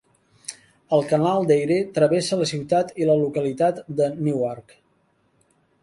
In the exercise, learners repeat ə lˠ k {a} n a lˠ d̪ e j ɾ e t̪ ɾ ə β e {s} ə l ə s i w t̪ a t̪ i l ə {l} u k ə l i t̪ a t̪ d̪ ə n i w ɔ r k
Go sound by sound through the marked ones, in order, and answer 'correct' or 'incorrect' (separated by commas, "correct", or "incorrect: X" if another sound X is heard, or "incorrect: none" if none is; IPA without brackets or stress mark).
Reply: incorrect: ə, correct, correct